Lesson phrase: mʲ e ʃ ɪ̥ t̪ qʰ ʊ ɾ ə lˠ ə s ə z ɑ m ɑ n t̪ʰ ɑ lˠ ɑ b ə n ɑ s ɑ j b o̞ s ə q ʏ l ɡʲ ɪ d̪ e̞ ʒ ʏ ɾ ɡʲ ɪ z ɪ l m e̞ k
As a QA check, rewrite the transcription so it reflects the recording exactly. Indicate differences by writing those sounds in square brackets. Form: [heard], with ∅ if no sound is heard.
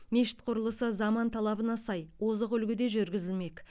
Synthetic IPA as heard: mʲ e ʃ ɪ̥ t̪ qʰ ʊ ɾ ə lˠ ə s ə z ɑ m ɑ n t̪ʰ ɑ lˠ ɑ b ə n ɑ s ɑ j [w] o̞ [z] ə q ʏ l ɡʲ ɪ d̪ e̞ ʒ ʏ ɾ ɡʲ ɪ z ɪ l m e̞ k